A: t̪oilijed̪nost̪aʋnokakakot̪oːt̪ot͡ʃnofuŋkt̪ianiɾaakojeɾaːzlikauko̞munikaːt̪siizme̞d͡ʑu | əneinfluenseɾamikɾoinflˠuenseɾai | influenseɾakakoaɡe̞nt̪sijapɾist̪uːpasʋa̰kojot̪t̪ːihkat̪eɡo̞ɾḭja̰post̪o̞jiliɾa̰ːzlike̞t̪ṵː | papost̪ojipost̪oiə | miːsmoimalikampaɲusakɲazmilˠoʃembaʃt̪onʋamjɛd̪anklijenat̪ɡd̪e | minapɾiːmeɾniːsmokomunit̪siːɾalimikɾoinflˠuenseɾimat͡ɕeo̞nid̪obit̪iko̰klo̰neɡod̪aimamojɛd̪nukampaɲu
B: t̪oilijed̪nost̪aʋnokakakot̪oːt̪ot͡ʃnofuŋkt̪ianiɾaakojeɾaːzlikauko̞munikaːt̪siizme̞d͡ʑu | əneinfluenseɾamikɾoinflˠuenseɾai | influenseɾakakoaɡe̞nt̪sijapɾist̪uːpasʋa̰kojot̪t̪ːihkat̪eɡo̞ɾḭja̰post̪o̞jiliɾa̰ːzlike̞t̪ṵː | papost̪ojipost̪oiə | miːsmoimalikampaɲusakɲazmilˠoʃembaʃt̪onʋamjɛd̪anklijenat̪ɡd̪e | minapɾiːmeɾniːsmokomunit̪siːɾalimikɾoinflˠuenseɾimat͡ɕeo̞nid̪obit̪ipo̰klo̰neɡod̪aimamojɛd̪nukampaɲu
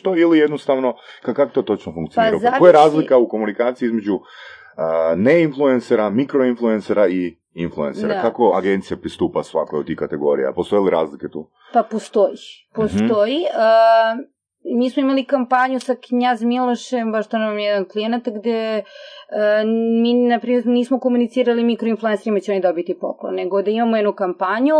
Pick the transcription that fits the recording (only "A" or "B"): B